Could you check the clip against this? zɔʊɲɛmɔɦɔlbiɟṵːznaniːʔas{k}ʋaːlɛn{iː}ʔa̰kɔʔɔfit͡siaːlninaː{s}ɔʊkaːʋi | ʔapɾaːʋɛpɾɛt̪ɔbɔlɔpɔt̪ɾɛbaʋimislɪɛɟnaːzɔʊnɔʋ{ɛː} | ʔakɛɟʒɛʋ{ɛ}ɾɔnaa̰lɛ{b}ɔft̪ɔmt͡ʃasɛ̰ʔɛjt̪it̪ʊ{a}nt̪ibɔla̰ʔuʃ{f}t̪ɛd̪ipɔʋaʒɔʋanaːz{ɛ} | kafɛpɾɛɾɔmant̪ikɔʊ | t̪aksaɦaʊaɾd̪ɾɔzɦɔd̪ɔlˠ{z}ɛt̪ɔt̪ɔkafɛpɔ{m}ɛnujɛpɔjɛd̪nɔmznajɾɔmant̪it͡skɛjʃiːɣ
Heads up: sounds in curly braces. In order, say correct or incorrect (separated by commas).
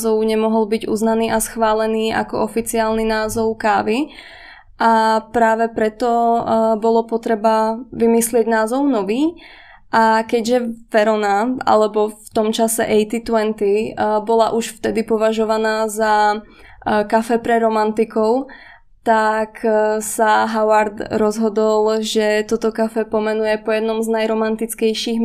incorrect, correct, incorrect, incorrect, correct, correct, incorrect, correct, incorrect, incorrect, correct